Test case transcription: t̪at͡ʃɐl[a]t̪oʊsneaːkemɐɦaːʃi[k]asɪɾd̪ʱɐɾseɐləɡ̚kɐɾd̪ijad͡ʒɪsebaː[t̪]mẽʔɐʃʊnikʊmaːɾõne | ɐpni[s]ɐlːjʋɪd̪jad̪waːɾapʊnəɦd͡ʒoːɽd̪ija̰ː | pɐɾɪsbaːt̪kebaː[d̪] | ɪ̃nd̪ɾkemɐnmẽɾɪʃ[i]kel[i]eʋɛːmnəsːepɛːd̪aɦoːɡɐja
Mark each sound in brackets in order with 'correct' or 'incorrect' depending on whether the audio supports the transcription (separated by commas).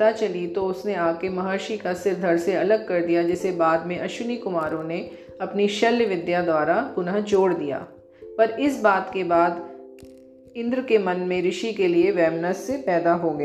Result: incorrect, correct, incorrect, incorrect, correct, correct, correct